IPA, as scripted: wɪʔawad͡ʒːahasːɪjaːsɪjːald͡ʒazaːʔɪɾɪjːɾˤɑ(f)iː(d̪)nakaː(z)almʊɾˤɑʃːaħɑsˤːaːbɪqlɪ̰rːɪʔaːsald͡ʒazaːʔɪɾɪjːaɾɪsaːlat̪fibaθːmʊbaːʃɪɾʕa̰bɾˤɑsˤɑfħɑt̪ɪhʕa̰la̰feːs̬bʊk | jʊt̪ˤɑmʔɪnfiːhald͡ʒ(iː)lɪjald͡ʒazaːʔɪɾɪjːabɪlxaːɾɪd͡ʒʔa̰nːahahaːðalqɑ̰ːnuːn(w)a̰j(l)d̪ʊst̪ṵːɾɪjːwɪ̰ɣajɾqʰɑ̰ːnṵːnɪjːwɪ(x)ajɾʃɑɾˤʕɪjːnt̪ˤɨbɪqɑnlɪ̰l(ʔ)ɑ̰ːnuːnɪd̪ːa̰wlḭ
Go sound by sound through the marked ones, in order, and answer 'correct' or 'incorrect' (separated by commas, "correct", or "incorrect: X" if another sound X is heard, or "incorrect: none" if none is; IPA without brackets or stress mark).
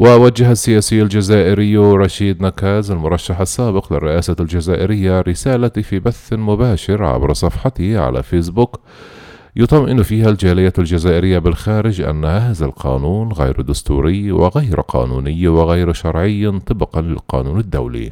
incorrect: ʃ, correct, correct, incorrect: aː, incorrect: ɣ, incorrect: ɾ, incorrect: ɣ, incorrect: q